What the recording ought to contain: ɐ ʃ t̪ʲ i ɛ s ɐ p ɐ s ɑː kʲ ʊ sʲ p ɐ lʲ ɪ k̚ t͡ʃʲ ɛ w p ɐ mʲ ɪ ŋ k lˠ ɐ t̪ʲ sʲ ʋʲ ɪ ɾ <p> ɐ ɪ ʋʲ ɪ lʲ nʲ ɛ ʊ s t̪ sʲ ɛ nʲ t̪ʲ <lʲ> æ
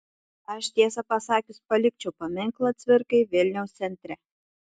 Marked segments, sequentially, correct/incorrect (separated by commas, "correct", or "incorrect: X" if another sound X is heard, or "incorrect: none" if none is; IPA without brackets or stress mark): incorrect: k, incorrect: ɾʲ